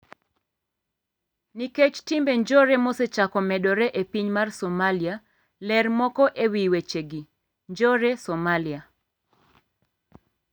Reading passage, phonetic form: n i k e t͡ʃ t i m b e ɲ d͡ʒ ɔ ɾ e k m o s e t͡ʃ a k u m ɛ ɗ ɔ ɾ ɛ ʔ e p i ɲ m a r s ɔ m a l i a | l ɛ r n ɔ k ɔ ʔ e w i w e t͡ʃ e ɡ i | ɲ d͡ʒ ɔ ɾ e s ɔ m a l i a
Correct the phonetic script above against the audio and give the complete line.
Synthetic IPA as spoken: n i k e t͡ʃ t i m b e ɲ d͡ʒ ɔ ɾ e m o s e t͡ʃ a k ɔ m ɛ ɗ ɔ ɾ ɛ ʔ e p i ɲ m a r s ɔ m a l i a | l ɛ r m ɔ k ɔ ʔ e w i w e t͡ʃ e ɡ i | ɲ d͡ʒ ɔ ɾ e s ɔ m a l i a